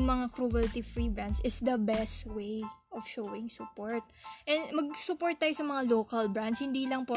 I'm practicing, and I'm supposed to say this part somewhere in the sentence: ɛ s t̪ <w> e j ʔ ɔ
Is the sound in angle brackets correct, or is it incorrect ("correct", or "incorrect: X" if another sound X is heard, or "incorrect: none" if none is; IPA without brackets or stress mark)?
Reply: correct